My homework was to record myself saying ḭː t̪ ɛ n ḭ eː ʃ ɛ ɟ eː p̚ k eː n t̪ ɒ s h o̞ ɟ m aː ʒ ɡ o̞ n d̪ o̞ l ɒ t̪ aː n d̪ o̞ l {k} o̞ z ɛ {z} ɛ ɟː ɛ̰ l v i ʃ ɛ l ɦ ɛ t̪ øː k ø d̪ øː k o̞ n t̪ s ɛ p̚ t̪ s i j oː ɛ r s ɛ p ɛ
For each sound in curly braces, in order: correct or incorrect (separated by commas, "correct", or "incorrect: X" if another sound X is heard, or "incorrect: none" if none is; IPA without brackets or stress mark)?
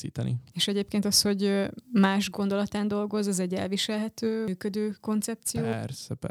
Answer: incorrect: ɡ, correct